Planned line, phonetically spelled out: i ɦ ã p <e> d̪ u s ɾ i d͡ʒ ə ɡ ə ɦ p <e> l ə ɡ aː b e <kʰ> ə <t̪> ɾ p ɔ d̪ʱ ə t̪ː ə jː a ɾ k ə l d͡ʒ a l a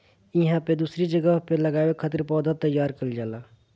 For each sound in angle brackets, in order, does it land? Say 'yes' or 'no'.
yes, yes, yes, yes

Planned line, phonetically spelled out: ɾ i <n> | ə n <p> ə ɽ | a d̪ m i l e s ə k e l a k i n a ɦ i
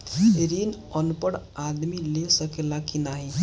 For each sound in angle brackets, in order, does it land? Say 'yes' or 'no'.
yes, yes

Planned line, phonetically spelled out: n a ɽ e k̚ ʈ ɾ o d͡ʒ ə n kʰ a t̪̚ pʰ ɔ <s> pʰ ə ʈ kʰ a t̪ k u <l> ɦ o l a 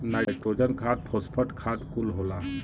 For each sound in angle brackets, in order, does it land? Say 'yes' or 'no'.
yes, yes

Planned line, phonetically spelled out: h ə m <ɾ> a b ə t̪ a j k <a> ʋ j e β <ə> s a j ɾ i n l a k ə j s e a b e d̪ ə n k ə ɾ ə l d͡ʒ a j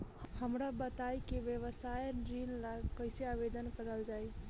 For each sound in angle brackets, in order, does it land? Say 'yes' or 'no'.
yes, no, yes

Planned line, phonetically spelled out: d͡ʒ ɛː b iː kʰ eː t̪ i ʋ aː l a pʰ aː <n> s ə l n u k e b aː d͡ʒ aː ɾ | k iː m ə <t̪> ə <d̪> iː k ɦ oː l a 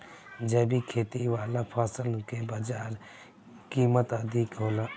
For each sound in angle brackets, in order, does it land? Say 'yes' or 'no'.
no, yes, yes

